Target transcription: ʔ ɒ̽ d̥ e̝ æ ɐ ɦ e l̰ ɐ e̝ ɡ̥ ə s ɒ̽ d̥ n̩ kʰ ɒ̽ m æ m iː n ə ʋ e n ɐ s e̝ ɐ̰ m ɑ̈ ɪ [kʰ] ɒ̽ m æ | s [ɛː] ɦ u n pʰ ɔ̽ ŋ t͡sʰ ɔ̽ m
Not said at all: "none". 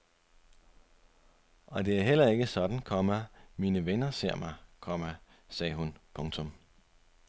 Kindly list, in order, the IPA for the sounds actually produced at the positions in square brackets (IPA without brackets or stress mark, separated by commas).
kʰ, ɛː